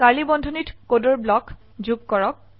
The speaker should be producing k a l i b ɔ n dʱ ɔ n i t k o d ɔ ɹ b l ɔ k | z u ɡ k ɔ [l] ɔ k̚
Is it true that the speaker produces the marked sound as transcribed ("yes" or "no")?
no